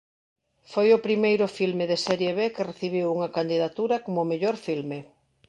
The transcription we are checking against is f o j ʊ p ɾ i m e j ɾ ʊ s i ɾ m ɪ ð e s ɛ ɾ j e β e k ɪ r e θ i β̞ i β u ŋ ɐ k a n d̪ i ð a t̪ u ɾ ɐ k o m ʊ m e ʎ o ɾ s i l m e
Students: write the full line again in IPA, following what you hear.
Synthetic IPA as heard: f o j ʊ p ɾ i m e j ɾ ʊ f i l m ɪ ð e s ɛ ɾ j e β e k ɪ r e θ i β̞ i w u ŋ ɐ k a n d̪ i ð a t̪ u ɾ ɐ k o m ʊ m e ʎ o ɾ f i l m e